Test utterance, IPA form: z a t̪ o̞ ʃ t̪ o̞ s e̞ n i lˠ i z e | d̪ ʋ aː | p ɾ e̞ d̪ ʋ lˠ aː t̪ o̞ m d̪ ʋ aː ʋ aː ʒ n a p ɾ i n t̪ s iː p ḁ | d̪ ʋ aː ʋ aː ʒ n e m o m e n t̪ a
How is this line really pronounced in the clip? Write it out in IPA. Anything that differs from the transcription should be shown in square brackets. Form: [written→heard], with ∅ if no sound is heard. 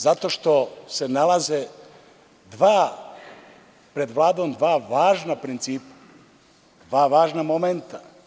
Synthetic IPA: z a t̪ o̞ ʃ t̪ o̞ s e̞ n [i→a] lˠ [i→a] z e | d̪ ʋ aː | p ɾ e̞ d̪ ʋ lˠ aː [t̪→d̪] o̞ m d̪ ʋ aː ʋ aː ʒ n a p ɾ i n t̪ s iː p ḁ | d̪ ʋ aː ʋ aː ʒ n [e→a] m o m e n t̪ a